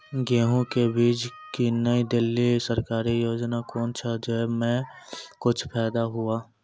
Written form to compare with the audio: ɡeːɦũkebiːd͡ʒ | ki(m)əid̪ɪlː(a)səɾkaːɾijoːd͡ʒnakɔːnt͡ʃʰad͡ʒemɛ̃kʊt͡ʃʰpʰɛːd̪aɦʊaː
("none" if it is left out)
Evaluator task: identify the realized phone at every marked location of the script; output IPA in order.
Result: n, i

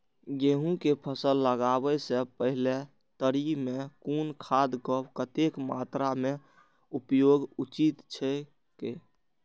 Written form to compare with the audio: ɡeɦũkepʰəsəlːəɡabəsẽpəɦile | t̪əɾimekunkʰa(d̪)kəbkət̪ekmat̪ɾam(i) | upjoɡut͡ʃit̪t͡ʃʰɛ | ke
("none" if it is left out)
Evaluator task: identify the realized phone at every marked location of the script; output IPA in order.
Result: d̪, e

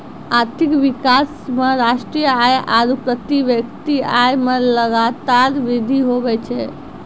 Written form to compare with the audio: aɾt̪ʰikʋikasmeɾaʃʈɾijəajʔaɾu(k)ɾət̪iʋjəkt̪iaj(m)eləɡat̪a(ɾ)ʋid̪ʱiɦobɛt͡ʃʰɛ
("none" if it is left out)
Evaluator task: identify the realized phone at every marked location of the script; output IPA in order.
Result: p, m, ɾ

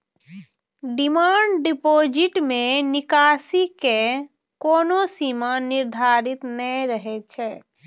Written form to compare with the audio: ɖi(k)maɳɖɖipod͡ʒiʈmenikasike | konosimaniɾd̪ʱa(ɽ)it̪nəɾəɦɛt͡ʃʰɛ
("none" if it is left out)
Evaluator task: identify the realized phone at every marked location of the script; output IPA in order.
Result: none, ɾ

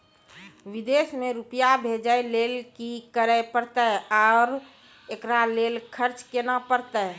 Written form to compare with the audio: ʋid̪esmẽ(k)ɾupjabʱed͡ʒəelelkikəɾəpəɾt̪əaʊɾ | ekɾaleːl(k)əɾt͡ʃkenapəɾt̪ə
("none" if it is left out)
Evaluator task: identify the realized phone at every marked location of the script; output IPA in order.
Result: none, kʰ

